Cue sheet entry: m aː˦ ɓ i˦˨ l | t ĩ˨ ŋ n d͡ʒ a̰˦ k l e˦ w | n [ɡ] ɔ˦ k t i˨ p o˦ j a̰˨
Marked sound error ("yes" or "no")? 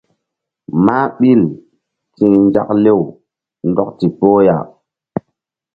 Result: yes